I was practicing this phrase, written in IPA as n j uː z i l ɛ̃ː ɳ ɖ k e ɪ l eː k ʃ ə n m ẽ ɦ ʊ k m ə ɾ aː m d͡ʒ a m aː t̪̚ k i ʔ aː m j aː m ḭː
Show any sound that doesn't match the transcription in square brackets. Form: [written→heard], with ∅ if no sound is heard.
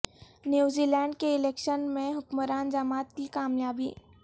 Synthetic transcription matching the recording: n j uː z i l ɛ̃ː ɳ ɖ k e ɪ l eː k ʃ ə n m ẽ ɦ ʊ k m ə ɾ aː [m→n] d͡ʒ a m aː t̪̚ k i [ʔ→k] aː m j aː [m→b] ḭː